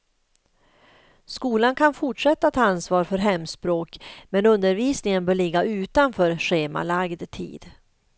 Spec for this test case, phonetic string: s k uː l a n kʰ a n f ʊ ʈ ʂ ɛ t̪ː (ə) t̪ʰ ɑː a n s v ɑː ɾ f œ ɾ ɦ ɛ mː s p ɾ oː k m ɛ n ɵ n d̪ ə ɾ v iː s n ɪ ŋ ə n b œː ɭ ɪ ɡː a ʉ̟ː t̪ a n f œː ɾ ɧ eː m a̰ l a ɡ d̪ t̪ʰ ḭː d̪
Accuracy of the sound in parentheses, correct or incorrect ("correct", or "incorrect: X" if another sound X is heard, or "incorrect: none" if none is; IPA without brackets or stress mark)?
incorrect: a